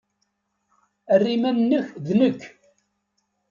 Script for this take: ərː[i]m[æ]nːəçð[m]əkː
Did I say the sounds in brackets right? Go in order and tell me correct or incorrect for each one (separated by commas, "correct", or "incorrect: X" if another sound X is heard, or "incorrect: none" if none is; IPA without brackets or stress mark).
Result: correct, correct, incorrect: n